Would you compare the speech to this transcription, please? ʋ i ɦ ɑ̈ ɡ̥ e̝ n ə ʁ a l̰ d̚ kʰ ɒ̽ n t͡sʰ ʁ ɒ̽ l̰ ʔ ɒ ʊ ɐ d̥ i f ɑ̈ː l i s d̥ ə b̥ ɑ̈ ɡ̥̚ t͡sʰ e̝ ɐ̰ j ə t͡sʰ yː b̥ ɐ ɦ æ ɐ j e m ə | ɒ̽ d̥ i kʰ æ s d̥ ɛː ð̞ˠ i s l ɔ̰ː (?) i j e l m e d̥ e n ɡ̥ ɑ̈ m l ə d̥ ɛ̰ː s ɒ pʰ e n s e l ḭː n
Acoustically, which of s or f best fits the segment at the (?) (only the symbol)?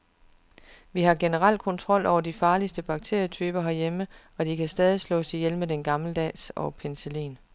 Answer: s